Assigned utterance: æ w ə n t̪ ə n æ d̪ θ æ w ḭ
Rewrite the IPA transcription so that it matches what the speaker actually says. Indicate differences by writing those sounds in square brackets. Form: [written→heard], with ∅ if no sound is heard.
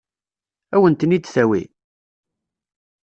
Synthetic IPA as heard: æ w ə n t̪ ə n [æ→i] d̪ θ æ w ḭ